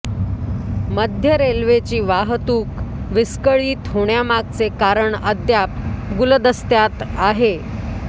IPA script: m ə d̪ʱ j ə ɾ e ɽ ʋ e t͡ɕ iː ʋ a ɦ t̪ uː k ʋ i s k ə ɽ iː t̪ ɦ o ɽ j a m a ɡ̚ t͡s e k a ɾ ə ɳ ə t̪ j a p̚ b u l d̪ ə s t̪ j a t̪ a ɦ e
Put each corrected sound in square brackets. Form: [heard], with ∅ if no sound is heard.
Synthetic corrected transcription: m ə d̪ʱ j ə ɾ e [l] ʋ e t͡ɕ iː ʋ a ɦ t̪ uː k ʋ i s k ə [ɭ] iː t̪ ɦ o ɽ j a m a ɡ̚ t͡s e k a ɾ ə ɳ ə [d̪] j a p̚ [ɡ] u l d̪ ə s t̪ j a t̪ a ɦ e